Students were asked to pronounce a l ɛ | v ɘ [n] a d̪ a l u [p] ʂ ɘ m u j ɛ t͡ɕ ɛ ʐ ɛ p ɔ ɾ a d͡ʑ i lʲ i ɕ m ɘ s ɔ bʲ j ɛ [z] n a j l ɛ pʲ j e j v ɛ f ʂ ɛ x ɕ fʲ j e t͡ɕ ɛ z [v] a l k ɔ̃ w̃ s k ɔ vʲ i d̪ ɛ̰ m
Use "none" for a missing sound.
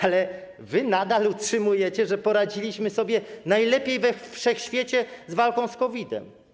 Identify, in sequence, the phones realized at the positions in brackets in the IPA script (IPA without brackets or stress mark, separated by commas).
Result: n, t, none, v